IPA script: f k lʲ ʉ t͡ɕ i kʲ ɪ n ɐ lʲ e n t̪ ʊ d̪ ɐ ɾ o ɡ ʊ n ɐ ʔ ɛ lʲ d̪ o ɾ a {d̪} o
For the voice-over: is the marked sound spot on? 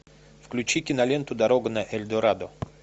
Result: yes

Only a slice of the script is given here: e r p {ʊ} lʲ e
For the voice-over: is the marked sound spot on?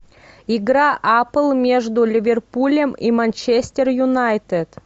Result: no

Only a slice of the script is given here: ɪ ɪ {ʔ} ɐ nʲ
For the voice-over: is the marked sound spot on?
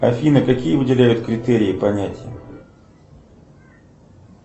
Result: no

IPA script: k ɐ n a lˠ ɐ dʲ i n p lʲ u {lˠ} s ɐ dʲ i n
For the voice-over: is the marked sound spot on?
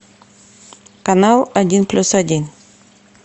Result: no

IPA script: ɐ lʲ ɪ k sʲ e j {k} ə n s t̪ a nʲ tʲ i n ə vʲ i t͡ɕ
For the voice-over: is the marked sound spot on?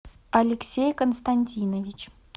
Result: yes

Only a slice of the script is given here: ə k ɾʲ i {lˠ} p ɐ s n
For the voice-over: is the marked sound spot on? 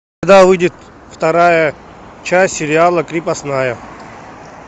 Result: no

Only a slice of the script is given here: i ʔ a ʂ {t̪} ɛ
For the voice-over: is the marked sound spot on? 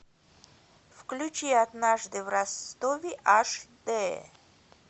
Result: no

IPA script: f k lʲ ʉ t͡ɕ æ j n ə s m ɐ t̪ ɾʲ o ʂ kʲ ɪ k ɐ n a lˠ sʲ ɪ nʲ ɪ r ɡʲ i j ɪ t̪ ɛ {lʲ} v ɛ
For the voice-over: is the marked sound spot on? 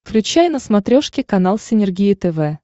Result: no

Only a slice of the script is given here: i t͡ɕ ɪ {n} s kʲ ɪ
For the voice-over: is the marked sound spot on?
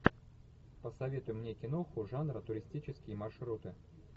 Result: no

